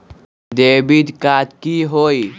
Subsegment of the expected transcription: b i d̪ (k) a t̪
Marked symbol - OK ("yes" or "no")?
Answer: yes